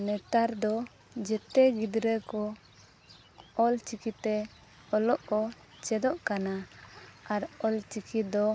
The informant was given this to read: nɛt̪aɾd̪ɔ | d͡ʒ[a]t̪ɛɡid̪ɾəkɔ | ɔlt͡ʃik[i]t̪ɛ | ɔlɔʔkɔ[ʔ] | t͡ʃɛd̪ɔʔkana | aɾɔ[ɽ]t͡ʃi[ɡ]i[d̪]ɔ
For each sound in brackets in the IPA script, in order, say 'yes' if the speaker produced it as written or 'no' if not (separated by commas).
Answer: no, yes, no, no, no, yes